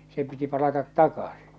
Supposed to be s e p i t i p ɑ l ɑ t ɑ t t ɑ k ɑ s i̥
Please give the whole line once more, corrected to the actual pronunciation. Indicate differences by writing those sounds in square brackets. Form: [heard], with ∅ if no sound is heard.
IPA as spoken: s e p i t i p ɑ l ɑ t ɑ t t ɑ k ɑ s i̥